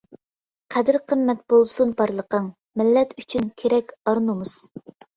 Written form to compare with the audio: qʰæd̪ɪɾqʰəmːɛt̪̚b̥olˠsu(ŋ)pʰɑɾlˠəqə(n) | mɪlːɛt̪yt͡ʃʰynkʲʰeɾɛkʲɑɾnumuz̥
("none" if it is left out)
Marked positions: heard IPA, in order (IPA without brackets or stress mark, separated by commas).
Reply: n, ŋ